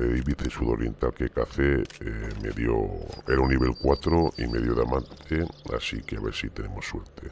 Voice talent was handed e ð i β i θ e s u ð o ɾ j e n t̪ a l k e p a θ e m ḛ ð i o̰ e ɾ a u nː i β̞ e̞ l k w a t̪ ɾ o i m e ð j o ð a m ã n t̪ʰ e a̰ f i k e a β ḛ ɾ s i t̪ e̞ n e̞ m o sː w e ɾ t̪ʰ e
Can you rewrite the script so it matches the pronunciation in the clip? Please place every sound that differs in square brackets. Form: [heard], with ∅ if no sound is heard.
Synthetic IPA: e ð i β i θ e s u ð o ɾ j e n t̪ a l k e [k] a θ e m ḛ ð [j] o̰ e ɾ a u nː i β̞ e̞ l k w a t̪ ɾ o i m e ð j o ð a m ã n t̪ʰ e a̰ [s] i k e a β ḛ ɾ s i t̪ e̞ n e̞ m o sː w e ɾ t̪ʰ e